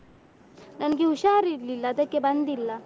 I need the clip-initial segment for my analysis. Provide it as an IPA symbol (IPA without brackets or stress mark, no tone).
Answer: n